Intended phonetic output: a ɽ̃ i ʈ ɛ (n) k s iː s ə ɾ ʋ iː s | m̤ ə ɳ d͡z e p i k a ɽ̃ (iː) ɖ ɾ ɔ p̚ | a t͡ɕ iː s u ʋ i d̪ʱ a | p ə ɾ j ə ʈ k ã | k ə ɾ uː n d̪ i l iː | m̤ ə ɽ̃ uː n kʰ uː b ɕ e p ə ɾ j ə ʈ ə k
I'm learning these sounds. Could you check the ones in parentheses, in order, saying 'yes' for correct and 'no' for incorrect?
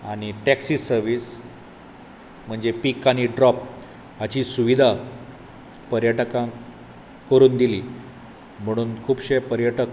no, no

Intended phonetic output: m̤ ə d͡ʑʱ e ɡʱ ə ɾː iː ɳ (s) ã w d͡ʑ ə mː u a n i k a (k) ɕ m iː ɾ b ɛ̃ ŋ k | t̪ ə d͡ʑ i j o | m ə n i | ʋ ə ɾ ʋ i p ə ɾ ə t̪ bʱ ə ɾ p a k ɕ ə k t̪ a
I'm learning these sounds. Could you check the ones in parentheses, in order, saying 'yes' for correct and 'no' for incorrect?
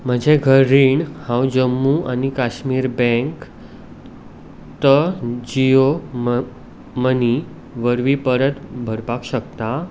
no, no

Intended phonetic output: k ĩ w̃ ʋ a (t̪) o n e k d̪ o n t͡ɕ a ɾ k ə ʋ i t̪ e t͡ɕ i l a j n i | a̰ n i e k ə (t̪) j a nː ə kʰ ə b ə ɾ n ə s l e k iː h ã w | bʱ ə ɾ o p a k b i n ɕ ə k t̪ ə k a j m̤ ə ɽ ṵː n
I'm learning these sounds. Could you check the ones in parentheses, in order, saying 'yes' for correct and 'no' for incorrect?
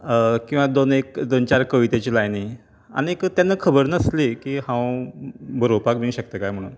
no, yes

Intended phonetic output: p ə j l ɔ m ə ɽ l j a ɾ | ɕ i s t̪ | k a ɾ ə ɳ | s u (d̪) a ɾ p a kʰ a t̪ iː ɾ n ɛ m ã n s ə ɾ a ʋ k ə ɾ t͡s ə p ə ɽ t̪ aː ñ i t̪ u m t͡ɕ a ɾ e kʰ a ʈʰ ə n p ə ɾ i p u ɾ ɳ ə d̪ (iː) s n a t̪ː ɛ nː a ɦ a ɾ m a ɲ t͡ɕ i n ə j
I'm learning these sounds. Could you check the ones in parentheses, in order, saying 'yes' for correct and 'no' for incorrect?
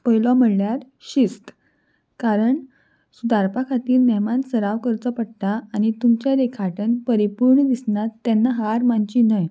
yes, no

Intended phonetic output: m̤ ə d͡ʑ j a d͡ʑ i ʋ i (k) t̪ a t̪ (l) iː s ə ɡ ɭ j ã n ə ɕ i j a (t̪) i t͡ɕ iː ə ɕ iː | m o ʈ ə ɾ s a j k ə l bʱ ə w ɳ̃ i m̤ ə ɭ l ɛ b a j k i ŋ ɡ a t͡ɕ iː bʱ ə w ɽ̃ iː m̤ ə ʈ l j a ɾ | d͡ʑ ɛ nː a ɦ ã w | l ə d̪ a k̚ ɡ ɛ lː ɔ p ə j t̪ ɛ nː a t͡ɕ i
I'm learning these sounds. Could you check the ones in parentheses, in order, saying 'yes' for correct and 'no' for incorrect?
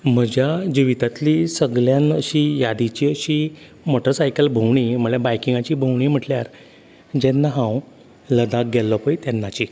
no, yes, no

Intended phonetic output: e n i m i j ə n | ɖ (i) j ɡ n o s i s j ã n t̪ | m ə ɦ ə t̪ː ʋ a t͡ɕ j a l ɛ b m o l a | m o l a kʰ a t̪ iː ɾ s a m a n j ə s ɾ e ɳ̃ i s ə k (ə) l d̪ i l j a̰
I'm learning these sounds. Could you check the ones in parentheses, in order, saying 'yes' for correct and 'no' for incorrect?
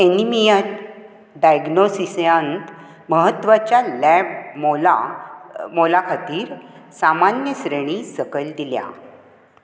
no, yes

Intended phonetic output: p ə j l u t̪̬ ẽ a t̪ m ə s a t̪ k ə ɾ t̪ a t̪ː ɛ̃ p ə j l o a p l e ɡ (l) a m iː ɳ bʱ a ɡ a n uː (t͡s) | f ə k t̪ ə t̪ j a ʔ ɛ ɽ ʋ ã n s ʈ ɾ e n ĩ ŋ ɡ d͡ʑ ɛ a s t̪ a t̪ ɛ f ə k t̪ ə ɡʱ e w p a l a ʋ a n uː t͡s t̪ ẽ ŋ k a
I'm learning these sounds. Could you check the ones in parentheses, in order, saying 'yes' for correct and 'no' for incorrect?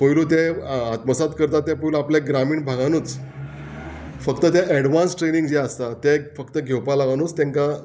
no, yes

